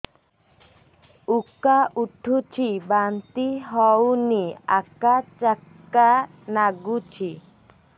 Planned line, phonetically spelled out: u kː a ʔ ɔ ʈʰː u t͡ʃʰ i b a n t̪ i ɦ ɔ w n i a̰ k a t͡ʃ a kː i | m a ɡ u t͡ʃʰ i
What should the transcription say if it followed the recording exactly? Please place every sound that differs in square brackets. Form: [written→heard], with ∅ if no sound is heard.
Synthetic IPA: u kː a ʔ [ɔ→u] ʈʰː u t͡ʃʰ i b a n t̪ i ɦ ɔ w n i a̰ k a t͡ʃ a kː [i→a] | [m→n] a ɡ u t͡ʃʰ i